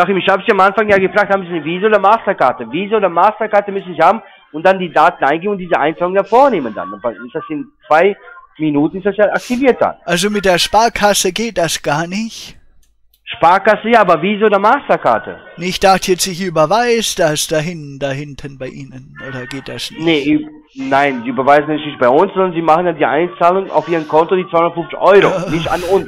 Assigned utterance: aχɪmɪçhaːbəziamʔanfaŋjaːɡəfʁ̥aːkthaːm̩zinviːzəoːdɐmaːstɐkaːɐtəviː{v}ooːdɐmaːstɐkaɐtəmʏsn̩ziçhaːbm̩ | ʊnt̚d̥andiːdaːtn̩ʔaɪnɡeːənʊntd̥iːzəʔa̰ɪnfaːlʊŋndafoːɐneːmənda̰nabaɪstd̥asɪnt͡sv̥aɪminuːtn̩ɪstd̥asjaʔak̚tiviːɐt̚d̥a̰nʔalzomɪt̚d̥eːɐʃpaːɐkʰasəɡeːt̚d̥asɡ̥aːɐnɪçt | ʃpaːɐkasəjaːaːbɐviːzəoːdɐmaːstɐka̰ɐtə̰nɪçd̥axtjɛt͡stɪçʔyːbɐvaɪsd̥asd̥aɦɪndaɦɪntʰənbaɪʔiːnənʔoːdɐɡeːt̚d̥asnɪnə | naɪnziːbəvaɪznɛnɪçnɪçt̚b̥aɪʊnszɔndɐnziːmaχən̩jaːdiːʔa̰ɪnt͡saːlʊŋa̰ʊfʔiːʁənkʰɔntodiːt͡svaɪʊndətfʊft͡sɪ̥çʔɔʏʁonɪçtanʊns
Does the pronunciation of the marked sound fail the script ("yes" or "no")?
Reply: yes